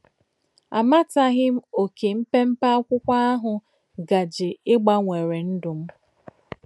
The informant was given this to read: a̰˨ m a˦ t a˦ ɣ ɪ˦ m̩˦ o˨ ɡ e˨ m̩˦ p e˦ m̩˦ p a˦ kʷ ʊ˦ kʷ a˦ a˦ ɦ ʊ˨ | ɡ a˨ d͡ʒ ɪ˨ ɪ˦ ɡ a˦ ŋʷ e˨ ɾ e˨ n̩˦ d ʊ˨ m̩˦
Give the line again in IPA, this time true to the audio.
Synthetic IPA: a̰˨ m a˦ t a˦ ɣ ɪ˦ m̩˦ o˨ k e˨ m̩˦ p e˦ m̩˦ p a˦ kʷ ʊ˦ kʷ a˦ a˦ ɦ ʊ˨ | ɡ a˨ d͡ʒ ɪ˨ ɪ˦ ɡ͡b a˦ ŋʷ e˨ ɾ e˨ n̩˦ d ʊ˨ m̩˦